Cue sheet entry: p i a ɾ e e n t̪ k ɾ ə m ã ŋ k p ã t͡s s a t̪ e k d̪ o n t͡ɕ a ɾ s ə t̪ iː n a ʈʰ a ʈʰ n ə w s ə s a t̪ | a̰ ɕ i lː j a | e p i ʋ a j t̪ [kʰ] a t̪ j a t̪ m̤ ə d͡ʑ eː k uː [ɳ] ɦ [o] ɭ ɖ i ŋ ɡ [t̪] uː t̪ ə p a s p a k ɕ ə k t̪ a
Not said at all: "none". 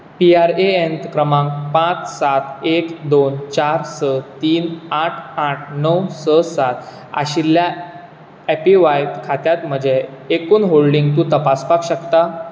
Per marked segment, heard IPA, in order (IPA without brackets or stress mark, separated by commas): kʰ, n, o, t̪